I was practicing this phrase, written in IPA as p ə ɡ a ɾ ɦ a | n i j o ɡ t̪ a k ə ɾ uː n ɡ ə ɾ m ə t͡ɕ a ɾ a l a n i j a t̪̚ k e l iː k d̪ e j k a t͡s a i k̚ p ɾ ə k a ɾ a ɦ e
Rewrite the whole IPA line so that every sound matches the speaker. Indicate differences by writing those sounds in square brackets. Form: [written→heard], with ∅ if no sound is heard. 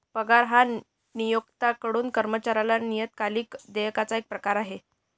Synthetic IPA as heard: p ə ɡ a ɾ ɦ a | n i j o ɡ t̪ a k ə [ɾ→ɽ] uː n [ɡ→k] ə ɾ m ə t͡ɕ a ɾ a l a n i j [a→ə] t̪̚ k [e→a] l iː k d̪ e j k a t͡s a [i→e] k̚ p ɾ ə k a ɾ a ɦ e